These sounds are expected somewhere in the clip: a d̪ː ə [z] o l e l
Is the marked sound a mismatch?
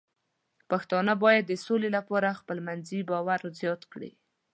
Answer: yes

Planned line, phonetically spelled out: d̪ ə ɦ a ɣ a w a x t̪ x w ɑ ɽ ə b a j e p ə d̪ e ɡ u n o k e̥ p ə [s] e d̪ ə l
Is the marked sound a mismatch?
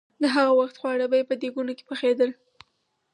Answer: yes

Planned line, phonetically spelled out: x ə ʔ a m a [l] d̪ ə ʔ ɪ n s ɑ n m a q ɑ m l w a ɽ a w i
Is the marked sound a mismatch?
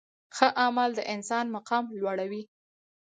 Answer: no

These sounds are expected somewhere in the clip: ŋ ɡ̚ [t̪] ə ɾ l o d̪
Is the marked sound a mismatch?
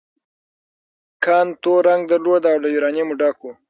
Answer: yes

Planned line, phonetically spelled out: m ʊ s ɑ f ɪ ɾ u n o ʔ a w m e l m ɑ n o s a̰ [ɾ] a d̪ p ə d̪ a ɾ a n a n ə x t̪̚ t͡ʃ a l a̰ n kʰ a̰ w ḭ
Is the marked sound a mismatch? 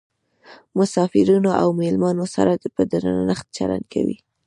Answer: no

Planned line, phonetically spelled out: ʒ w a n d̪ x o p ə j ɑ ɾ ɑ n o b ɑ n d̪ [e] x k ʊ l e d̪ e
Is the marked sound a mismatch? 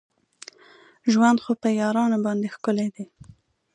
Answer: no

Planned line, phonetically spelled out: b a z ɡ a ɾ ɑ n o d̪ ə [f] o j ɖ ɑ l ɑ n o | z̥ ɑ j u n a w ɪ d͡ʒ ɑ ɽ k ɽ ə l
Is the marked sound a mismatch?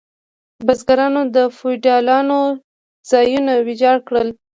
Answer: no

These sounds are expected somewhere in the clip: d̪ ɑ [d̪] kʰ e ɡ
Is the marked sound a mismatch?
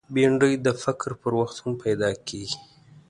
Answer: yes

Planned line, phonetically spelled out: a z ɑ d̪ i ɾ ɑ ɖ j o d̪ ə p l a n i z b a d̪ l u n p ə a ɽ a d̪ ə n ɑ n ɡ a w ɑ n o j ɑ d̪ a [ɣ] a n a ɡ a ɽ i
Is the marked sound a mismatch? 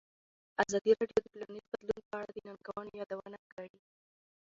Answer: yes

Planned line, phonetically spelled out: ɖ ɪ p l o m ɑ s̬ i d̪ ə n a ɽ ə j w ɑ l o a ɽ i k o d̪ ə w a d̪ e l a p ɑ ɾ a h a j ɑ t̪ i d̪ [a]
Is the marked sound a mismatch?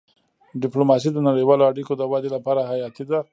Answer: no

